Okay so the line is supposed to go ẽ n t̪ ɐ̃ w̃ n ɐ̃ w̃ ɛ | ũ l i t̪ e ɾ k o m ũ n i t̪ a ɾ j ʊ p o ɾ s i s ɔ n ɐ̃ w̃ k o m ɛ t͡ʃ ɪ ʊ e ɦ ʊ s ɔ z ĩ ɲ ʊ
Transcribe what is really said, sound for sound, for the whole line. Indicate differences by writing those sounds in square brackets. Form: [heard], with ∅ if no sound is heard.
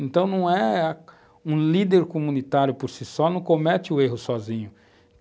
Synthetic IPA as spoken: ẽ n t̪ ɐ̃ w̃ n ɐ̃ w̃ ɛ | ũ l i [d̪] e ɾ k o m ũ n i t̪ a ɾ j ʊ p o ɾ s i s ɔ n ɐ̃ w̃ k o m ɛ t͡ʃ ɪ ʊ e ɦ ʊ s ɔ z ĩ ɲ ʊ

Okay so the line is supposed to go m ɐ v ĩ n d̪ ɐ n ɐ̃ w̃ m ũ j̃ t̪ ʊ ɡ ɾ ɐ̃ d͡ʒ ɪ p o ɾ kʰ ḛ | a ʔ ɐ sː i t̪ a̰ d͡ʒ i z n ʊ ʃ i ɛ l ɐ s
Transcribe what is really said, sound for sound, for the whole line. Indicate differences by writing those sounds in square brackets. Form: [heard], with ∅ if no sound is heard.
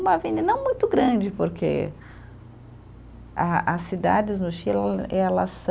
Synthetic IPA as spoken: m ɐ v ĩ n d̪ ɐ n ɐ̃ w̃ m ũ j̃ t̪ ʊ ɡ ɾ ɐ̃ d͡ʒ ɪ p o ɾ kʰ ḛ | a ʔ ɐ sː i [d̪] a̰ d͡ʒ [ɪ] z n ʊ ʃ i ɛ l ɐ s

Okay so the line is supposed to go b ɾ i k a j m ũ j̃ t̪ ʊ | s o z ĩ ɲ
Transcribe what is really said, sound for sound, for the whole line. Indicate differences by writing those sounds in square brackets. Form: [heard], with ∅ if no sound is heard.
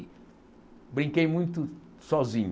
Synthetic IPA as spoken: b ɾ [ĩ] k [e] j m ũ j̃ t̪ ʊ | s [ɔ] z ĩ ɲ

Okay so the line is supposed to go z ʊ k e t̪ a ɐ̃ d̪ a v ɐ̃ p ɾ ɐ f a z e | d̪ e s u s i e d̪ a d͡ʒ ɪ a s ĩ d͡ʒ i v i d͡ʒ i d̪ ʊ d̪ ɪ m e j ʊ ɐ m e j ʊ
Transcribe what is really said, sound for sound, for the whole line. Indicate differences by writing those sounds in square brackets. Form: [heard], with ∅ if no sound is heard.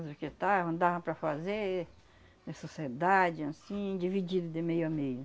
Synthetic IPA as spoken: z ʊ k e t̪ a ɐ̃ d̪ a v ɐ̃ p ɾ ɐ f a z e | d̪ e s [o] s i e d̪ a d͡ʒ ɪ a s ĩ d͡ʒ i v i d͡ʒ i d̪ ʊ d̪ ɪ m e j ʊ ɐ m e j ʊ

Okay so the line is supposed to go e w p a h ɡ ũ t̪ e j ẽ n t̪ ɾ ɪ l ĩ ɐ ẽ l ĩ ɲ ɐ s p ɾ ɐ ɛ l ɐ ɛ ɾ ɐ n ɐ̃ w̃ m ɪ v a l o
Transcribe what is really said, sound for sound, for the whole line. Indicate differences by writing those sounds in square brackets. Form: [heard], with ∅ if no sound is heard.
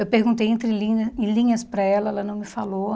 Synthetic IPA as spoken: e w p [e] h ɡ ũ t̪ e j ẽ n t̪ ɾ ɪ l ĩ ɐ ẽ l ĩ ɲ ɐ s p ɾ ɐ ɛ l ɐ ɛ [l] ɐ n ɐ̃ w̃ m ɪ [f] a l o

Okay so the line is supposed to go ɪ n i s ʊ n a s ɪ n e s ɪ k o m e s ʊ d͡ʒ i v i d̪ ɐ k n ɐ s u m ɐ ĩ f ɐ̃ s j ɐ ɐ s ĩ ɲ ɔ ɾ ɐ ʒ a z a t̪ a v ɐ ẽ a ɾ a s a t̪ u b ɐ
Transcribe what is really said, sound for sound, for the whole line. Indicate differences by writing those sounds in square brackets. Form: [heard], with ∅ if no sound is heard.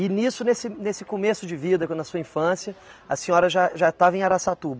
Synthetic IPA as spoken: ɪ n i s ʊ n [e] s ɪ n e s ɪ k o m e s ʊ d͡ʒ [ɪ] v i d̪ ɐ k n ɐ s u [∅] ɐ ĩ f ɐ̃ s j ɐ ɐ s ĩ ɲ ɔ ɾ ɐ ʒ a [ʒ] a t̪ a v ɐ ẽ a ɾ a s a t̪ u b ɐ

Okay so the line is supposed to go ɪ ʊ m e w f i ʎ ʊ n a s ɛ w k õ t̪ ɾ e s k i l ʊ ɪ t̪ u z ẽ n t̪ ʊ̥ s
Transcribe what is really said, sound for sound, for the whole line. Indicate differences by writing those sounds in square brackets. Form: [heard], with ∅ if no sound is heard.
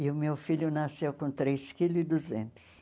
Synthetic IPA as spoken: ɪ ʊ m e w f i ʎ ʊ n a s [e] w k õ t̪ ɾ e s k i l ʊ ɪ [d̪] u z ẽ n t̪ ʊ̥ s

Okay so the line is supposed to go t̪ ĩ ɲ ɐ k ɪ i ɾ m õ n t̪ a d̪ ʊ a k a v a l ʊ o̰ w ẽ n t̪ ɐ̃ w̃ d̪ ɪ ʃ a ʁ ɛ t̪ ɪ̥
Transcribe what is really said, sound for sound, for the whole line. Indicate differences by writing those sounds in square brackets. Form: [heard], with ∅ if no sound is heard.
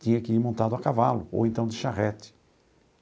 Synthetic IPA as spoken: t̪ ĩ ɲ ɐ k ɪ i ɾ m õ n t̪ a d̪ ʊ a k a v a l ʊ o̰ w ẽ n t̪ ɐ̃ w̃ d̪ ɪ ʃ a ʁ ɛ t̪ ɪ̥

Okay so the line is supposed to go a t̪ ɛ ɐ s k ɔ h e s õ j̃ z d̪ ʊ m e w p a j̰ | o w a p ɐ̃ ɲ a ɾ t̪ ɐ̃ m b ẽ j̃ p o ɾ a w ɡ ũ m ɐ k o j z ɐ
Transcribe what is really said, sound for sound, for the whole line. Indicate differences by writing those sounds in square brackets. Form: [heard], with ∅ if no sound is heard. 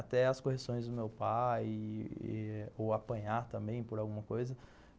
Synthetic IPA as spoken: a t̪ ɛ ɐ s k [o] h e s õ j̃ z d̪ ʊ m e w p a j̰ | o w a p ɐ̃ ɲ a ɾ t̪ ɐ̃ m b ẽ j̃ p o ɾ a w ɡ ũ m ɐ k o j z ɐ

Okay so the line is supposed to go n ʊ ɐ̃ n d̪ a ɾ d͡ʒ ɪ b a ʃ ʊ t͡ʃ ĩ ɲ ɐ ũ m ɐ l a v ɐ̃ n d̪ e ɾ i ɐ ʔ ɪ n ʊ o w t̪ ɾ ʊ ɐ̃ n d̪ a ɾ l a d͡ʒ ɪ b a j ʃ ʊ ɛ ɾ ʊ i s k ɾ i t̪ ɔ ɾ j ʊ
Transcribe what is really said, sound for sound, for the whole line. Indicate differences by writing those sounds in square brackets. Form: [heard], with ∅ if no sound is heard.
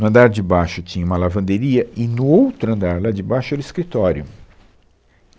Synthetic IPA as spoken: n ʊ ɐ̃ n d̪ a ɾ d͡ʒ ɪ b a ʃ ʊ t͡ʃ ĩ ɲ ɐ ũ m ɐ l a v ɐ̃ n d̪ e ɾ i ɐ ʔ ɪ n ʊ o w t̪ ɾ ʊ ɐ̃ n d̪ a ɾ l a d͡ʒ ɪ b a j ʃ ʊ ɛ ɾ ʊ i s k ɾ i t̪ ɔ ɾ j ʊ

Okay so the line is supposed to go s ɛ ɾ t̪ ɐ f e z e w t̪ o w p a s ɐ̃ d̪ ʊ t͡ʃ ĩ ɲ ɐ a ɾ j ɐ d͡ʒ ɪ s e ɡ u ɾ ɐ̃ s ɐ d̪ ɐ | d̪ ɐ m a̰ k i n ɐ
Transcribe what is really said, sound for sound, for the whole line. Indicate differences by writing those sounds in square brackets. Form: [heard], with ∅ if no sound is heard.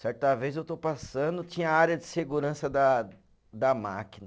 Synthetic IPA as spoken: s ɛ ɾ t̪ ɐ [v] e z e w t̪ o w p a s ɐ̃ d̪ ʊ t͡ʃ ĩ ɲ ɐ a ɾ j ɐ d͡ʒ ɪ s e ɡ u ɾ ɐ̃ s ɐ d̪ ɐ | d̪ ɐ m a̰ k i n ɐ

